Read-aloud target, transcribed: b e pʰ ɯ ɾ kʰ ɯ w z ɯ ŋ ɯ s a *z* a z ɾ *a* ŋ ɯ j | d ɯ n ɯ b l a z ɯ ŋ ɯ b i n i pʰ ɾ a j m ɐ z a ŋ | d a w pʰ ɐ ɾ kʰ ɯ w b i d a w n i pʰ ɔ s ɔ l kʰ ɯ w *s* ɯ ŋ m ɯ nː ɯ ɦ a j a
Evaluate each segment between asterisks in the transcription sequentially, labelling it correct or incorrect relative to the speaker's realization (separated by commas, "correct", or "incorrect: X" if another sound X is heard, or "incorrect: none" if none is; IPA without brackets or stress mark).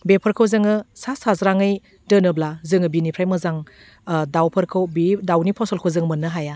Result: incorrect: s, correct, incorrect: z